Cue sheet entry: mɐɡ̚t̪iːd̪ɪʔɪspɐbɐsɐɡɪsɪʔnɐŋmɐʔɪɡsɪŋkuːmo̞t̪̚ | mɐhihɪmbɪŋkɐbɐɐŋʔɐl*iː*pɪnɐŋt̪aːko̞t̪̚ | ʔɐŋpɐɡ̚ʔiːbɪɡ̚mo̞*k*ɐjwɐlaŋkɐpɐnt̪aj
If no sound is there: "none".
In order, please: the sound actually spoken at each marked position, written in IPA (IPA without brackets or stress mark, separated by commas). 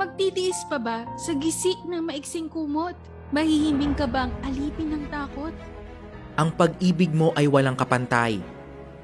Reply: iː, ʔ